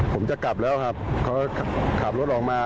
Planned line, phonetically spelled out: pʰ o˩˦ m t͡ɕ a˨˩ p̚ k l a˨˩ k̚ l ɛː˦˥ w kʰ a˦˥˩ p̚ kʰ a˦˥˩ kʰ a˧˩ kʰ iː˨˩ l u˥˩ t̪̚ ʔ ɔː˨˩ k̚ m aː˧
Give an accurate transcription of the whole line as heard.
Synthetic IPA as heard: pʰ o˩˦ m t͡ɕ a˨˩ k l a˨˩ p̚ l ɛː˦˥ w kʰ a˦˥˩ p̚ kʰ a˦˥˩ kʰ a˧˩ kʰ aː˨˩ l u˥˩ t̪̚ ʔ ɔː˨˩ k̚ m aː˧

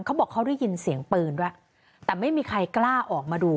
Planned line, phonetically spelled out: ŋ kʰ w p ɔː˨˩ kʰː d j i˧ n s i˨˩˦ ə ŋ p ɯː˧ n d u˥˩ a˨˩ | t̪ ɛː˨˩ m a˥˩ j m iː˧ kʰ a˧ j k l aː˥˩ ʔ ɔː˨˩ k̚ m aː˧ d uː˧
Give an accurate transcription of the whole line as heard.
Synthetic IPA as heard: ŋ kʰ w b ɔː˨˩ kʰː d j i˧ n s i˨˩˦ ə ŋ p ɯː˧ n d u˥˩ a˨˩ | t̪ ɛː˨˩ m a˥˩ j m iː˧ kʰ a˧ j k l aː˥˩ ʔ ɔː˨˩ k̚ m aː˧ d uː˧

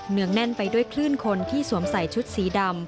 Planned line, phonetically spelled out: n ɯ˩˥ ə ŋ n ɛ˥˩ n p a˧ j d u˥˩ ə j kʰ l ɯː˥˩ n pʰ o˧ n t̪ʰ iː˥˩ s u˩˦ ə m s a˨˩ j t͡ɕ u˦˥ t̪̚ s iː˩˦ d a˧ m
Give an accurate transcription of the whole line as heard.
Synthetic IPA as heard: n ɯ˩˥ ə ŋ n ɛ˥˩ n p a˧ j d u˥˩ ə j kʰ l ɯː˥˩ n kʰ o˧ n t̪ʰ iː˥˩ s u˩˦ ə m s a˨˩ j t͡ɕʰ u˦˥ t̪̚ s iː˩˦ d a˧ m

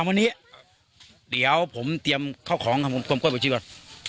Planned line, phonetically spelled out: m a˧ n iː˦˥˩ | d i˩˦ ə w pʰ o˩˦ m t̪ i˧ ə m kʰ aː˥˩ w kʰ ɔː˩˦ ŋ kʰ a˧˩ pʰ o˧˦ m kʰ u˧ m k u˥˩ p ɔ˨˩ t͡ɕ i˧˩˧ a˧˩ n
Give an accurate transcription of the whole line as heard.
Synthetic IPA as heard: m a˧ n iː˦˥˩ | d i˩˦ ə w pʰ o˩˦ m t̪ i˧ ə m kʰ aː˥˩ w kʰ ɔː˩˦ ŋ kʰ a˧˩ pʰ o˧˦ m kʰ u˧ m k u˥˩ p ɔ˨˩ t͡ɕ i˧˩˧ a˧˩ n

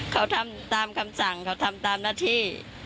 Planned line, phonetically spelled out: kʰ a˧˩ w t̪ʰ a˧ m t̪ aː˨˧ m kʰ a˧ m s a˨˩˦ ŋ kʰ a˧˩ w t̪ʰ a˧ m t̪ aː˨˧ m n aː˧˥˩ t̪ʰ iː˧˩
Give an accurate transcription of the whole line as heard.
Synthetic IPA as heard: kʰ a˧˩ w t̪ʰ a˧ m t̪ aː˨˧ m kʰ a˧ m s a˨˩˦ ŋ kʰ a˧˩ w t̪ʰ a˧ m t̪ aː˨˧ m n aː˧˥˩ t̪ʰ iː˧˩

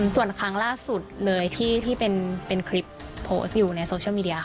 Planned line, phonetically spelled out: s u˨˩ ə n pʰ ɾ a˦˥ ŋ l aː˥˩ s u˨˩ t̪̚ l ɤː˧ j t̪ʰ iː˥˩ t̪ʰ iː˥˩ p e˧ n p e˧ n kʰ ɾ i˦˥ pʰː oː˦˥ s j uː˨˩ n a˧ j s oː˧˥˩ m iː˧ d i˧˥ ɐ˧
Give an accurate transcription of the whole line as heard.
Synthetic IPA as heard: s u˨˩ ə n kʰ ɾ a˦˥ ŋ l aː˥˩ s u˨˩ t̪̚ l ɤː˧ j t̪ʰ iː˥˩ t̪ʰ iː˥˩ p e˧ n p e˧ n kʰ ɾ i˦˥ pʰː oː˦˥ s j uː˨˩ n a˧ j s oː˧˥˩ m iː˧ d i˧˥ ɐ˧

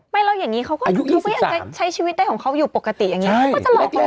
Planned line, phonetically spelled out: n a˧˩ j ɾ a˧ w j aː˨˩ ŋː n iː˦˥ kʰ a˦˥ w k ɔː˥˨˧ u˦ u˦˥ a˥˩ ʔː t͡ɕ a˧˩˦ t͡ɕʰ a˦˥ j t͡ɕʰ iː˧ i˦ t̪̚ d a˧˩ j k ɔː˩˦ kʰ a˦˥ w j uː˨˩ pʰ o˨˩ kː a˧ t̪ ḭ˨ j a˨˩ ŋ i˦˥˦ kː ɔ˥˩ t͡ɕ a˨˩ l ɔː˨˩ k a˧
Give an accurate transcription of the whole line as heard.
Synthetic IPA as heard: m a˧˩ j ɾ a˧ w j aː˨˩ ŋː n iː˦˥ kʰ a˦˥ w k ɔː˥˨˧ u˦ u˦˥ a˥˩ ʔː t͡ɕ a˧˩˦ t͡ɕʰ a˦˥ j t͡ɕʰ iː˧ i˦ t̪̚ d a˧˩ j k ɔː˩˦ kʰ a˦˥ w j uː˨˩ p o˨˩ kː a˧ t̪ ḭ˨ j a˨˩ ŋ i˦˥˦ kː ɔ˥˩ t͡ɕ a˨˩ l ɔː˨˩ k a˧

